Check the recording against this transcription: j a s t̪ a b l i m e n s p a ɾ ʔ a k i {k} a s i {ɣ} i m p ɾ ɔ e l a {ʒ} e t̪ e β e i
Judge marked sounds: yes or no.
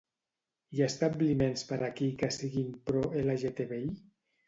yes, yes, yes

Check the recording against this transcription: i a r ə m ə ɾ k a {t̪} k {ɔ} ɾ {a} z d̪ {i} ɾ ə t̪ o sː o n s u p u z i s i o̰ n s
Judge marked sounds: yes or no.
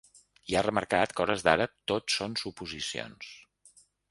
yes, yes, no, no

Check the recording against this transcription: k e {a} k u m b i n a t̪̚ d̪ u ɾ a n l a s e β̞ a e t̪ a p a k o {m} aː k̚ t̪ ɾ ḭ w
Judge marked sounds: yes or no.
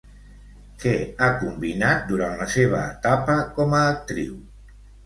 yes, yes

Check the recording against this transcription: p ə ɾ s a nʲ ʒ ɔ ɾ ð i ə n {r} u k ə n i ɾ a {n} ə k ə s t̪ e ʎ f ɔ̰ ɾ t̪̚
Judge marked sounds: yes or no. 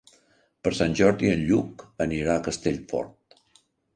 no, no

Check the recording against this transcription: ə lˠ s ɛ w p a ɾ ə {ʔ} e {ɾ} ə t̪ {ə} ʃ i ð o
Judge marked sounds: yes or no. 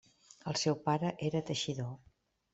yes, yes, yes

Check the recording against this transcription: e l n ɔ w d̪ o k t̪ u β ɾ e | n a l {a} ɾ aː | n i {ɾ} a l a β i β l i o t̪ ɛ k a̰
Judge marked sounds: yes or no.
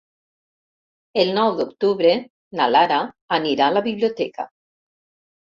yes, yes

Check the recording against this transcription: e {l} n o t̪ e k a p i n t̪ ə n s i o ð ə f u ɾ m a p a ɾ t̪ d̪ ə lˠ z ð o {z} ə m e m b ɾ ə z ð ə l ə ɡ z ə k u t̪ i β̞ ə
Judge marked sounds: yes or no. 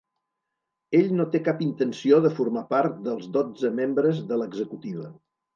no, no

